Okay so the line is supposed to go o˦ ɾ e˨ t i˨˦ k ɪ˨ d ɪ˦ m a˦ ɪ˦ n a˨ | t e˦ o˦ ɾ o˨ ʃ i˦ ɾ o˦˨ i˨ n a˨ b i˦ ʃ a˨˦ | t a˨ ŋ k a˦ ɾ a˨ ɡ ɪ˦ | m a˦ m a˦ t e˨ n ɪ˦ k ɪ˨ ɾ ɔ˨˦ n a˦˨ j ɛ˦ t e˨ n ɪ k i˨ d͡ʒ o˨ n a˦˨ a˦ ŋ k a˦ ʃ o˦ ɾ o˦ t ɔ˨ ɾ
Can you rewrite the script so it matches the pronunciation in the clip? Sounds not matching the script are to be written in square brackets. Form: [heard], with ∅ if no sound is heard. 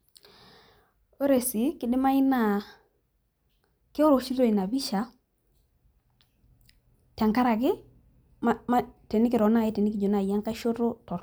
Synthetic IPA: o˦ ɾ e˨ [s] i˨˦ k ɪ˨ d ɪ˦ m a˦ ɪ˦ n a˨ | [k] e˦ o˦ ɾ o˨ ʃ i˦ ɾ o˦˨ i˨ n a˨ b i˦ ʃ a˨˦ | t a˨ ŋ k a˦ ɾ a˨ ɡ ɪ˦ | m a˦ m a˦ t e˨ n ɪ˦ k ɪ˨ ɾ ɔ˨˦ n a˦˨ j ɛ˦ t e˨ n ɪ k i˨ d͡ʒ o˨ n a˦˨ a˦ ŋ k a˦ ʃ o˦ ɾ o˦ t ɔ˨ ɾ

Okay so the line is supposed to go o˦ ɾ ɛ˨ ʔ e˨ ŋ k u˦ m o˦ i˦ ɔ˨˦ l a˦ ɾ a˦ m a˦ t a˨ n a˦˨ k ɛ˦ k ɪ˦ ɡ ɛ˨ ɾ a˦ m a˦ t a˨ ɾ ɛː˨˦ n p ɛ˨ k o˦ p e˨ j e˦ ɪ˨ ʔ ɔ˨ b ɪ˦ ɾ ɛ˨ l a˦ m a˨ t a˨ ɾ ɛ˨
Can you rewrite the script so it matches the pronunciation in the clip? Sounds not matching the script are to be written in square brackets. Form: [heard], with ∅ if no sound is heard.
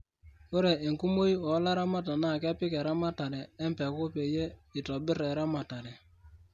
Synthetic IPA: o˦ ɾ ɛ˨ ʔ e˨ ŋ k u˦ m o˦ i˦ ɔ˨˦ l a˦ ɾ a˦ m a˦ t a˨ n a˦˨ k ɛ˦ [p] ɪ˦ [k] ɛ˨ ɾ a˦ m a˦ t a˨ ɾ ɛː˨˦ [m] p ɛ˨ k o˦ p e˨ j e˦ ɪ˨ [t] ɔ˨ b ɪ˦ ɾ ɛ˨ [ɾ] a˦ m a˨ t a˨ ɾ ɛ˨

